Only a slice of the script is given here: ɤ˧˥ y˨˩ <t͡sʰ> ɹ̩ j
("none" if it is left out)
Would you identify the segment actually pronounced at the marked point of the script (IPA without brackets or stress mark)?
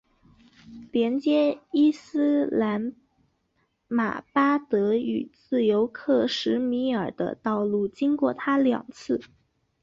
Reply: t͡s